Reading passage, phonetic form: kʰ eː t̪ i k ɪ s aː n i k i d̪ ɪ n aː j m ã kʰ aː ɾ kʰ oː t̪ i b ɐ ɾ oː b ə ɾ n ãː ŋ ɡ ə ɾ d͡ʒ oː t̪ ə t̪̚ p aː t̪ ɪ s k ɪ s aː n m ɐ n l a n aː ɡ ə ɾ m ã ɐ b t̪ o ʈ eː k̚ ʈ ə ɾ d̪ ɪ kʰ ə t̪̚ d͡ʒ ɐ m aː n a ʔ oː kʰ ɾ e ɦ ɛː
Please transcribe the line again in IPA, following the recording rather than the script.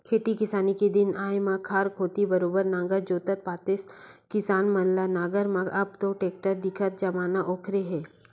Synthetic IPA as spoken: kʰ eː t̪ i k ɪ s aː n i k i d̪ ɪ n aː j m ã kʰ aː ɾ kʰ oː t̪ i b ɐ ɾ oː b ə ɾ n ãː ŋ ɡ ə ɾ d͡ʒ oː t̪ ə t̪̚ p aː t̪ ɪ s k ɪ s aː n m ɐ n l a n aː ɡ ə ɾ m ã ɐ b t̪ o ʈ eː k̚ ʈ ə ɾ d̪ ɪ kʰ ə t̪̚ d͡ʒ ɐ m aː n a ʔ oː kʰ ɾ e ɦ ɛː